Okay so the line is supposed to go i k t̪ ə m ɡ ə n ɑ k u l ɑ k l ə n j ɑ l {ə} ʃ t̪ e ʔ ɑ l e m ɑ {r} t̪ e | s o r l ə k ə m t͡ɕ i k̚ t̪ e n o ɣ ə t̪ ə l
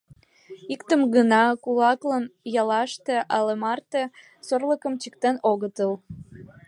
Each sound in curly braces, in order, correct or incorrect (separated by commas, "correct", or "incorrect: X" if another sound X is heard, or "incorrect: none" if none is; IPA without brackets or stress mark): incorrect: ɑ, correct